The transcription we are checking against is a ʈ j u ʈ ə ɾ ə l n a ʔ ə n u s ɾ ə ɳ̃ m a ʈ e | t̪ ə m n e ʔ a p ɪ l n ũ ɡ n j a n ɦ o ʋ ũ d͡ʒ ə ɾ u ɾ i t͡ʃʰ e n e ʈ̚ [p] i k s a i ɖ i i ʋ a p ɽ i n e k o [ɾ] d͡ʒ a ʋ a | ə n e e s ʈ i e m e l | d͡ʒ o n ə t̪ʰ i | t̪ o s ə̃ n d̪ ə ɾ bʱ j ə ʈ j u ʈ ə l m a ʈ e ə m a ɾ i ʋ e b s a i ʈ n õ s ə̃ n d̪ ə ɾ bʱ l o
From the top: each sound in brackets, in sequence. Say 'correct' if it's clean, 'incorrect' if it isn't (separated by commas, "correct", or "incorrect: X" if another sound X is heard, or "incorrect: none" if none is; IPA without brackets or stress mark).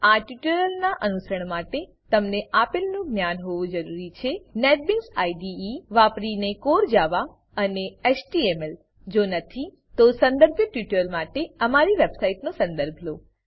incorrect: b, correct